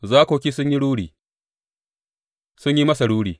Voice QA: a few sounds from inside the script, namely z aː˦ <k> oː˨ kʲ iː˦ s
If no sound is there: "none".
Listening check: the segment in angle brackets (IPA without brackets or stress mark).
k